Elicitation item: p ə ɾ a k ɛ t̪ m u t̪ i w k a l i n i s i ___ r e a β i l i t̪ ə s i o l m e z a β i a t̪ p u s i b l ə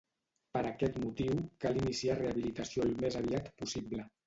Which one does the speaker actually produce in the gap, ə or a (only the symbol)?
a